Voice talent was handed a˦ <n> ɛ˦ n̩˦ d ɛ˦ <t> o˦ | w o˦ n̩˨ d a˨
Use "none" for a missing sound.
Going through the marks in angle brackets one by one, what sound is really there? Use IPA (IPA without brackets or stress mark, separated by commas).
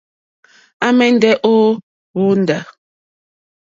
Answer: m, ʔ